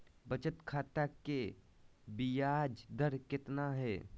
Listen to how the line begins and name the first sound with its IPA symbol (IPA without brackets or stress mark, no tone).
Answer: b